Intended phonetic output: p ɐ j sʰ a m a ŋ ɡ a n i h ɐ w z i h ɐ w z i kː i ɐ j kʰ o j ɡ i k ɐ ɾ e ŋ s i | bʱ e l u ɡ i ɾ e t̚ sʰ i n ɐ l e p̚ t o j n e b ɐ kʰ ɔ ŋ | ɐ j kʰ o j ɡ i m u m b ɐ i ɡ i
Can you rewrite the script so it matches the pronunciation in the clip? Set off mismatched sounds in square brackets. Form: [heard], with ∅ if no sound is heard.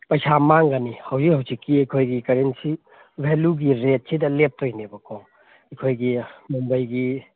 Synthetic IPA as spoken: p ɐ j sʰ a m a ŋ ɡ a n i h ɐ w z i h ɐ w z i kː i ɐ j kʰ o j ɡ i k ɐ ɾ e [n] s i | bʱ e l u ɡ i ɾ e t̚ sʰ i [d] ɐ l e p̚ t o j n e b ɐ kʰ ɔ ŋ | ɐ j kʰ o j ɡ i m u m b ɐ [j] ɡ i